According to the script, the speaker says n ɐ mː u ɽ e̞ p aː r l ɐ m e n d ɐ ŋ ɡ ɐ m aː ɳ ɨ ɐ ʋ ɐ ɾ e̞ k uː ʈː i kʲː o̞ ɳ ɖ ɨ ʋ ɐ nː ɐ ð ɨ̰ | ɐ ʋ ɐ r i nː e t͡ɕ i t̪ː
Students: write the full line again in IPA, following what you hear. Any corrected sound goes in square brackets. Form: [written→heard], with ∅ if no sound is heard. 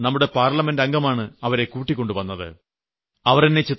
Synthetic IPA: n ɐ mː u ɽ e̞ p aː r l ɐ m e n d ɐ ŋ ɡ ɐ m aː ɳ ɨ ɐ ʋ ɐ ɾ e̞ k uː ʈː i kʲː o̞ ɳ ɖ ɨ ʋ ɐ nː ɐ ð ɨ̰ | ɐ ʋ ɐ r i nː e t͡ɕ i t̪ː